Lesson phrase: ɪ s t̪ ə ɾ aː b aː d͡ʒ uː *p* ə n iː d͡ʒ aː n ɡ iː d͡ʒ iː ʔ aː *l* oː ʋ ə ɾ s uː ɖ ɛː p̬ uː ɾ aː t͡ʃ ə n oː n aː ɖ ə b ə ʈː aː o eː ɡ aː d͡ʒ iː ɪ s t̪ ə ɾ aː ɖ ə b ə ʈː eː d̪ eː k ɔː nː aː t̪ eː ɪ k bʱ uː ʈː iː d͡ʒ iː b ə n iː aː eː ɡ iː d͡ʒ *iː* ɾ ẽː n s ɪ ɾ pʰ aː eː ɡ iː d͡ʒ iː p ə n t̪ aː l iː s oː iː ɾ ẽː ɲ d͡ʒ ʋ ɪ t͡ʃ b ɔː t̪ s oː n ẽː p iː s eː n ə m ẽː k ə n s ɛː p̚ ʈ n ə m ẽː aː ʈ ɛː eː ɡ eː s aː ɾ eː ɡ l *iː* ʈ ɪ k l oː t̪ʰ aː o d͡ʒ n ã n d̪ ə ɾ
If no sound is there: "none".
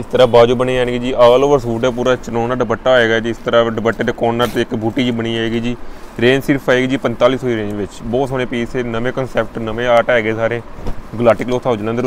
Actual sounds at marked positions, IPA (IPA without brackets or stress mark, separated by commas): b, l, iː, aː